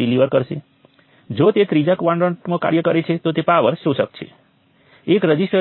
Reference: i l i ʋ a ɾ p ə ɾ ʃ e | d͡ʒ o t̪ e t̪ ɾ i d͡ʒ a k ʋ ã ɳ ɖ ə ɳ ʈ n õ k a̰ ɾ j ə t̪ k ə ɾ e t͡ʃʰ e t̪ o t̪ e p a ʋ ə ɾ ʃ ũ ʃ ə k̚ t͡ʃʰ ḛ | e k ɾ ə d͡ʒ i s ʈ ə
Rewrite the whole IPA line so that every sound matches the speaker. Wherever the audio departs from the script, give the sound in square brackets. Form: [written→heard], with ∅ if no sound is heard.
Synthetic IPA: i l i ʋ [a→ə] ɾ [p→k] ə ɾ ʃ e | d͡ʒ o t̪ e t̪ ɾ i d͡ʒ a k ʋ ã ɳ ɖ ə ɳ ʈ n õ k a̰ ɾ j ə [t̪→∅] k ə ɾ e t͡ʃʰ e t̪ o t̪ e p a ʋ ə ɾ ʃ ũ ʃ ə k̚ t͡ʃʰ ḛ | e k ɾ ə d͡ʒ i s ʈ ə